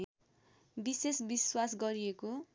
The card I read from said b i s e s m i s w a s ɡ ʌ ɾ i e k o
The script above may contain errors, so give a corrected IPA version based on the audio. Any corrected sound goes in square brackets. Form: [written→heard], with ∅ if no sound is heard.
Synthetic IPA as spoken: b i s e s [m→b] i s w a s ɡ ʌ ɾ i e k o